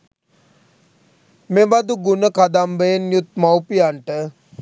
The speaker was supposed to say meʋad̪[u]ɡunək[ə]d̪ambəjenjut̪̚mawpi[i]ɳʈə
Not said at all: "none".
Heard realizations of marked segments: u, a, a

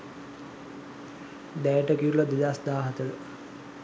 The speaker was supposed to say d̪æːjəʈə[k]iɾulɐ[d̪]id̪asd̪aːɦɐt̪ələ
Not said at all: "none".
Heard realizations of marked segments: k, d̪

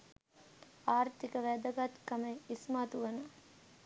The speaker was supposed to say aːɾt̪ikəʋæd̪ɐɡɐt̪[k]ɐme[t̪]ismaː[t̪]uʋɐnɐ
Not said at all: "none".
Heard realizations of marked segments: k, none, t̪

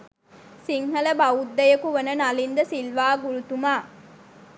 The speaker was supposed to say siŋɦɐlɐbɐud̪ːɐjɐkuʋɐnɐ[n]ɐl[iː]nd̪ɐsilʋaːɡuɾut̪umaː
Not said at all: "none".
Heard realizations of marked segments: n, i

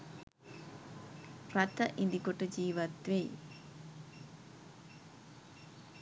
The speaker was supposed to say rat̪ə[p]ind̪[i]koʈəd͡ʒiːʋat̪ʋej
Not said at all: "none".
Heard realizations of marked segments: ʔ, i

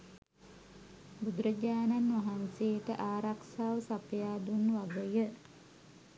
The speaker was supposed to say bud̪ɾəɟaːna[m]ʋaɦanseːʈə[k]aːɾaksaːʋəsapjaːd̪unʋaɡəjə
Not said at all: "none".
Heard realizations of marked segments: n, ʔ

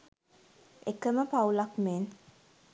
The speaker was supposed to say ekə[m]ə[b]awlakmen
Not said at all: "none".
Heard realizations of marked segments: m, p

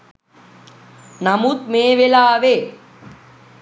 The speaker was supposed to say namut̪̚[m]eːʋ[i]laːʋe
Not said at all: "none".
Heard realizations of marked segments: m, e

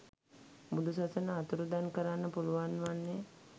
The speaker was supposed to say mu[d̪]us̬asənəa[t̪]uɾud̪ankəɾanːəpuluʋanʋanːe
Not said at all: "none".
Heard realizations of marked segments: d̪, t̪

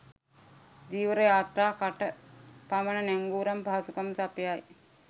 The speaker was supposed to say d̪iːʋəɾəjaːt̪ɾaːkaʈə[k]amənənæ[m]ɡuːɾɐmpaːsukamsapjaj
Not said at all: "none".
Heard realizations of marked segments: p, ŋ

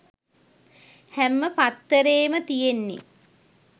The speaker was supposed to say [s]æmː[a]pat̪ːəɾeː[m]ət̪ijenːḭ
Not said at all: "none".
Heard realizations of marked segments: h, ə, m

